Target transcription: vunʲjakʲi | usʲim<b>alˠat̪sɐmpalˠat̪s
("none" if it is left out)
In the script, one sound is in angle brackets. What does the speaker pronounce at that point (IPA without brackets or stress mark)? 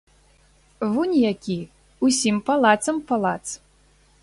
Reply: p